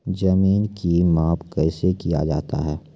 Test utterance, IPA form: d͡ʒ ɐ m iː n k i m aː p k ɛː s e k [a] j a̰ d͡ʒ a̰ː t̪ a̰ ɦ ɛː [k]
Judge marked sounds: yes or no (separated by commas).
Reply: no, no